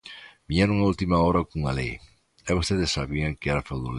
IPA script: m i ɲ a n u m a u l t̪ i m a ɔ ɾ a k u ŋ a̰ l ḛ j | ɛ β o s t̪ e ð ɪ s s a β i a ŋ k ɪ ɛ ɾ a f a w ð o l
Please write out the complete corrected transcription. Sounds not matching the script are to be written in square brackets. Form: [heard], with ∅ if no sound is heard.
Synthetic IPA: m i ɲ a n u [ŋ] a u l t̪ i m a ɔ ɾ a k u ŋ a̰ l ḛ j | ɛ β o s t̪ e ð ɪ s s a β i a ŋ k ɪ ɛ ɾ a f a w ð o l